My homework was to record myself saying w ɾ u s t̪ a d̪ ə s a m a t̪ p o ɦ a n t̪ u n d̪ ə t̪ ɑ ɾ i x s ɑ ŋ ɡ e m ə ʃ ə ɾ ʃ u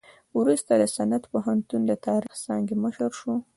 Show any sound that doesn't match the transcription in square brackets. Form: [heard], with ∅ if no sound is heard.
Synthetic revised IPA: w ɾ u s t̪ a d̪ ə s a [n] a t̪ p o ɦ a n t̪ u n d̪ ə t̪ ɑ ɾ i x s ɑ ŋ ɡ e m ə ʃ ə ɾ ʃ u